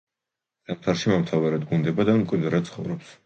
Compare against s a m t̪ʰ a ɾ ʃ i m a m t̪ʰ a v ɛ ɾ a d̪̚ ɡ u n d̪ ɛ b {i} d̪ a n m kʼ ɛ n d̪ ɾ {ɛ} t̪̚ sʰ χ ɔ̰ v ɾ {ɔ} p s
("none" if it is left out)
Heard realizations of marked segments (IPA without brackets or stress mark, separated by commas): a, a, ɔ